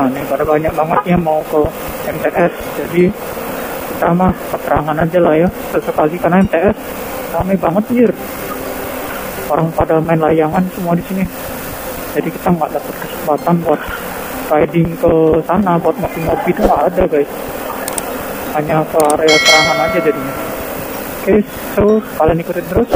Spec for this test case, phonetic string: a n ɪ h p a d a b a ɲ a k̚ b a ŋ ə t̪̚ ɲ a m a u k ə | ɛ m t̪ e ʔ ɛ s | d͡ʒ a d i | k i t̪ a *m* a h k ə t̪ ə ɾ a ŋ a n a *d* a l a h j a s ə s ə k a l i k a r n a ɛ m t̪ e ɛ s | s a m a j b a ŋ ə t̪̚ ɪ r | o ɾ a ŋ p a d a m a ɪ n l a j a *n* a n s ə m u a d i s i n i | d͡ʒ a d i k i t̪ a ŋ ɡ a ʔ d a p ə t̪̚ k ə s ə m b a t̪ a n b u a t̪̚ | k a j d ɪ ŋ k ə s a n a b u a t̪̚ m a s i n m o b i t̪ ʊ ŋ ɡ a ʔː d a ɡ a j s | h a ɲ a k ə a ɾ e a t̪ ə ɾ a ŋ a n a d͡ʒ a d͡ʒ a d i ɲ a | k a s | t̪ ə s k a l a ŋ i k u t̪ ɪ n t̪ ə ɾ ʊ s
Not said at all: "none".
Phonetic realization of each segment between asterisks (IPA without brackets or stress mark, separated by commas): m, d͡ʒ, ŋ